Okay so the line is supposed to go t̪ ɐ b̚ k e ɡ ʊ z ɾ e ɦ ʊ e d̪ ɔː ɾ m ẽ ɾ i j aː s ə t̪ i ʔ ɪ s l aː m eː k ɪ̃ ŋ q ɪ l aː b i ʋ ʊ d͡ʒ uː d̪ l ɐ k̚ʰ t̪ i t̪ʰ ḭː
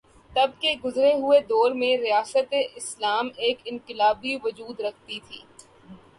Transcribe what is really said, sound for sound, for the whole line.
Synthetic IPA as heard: t̪ ɐ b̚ k e ɡ ʊ z ɾ e ɦ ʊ e d̪ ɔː ɾ m ẽ ɾ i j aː s ə t̪ e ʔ ɪ s l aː m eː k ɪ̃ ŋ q ɪ l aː b i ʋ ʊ d͡ʒ uː d̪ ɾ ɐ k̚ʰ t̪ i t̪ʰ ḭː